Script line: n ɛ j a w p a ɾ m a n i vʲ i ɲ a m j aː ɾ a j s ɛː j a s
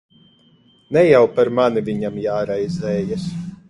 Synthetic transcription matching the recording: n ɛ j a w p a ɾ m a n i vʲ i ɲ a m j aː ɾ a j z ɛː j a s